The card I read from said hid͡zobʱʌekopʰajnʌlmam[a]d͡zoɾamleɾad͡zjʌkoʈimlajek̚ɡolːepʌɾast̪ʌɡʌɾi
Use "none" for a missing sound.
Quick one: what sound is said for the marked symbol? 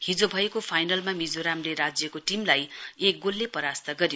i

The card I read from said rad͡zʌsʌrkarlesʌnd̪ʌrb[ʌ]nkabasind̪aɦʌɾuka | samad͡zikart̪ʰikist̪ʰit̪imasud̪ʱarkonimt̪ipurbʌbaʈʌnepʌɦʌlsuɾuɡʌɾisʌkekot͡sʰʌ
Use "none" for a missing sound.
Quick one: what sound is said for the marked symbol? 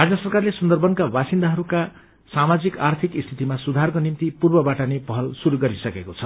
ʌ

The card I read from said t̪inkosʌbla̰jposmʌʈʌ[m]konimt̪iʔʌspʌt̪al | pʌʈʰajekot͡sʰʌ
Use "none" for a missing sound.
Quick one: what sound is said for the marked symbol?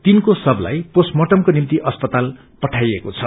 m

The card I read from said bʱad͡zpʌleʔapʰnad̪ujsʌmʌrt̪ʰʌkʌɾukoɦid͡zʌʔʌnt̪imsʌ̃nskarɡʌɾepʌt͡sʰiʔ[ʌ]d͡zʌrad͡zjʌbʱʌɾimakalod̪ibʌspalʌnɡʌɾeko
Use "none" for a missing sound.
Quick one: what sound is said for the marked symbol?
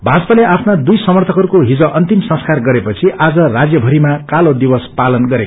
a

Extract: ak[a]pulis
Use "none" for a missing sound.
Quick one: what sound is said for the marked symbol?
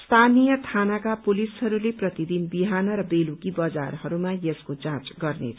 a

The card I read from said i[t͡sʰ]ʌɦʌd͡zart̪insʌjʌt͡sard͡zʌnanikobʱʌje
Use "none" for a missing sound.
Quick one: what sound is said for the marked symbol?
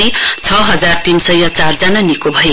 t͡sʰ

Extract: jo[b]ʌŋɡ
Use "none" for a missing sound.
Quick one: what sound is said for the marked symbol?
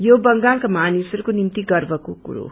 b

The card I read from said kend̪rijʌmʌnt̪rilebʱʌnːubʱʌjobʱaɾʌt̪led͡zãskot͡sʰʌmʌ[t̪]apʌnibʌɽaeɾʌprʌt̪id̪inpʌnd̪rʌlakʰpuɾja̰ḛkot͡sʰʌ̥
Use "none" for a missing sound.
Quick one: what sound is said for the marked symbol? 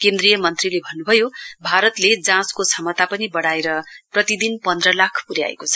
t̪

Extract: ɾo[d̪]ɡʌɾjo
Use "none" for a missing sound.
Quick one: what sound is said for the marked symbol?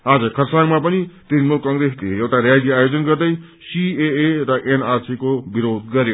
d̪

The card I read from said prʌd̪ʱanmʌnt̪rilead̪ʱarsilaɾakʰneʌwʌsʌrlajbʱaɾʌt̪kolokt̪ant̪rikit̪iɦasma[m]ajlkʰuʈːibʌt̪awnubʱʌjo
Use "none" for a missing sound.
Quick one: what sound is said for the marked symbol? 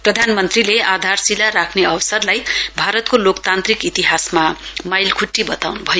m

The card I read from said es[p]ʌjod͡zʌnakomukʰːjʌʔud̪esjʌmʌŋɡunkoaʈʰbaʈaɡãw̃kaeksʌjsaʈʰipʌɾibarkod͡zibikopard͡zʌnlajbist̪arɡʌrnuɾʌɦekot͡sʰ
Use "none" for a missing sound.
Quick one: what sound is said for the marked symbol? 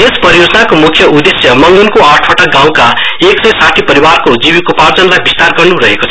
p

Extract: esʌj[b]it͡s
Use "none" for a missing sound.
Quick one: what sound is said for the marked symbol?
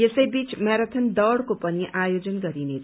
b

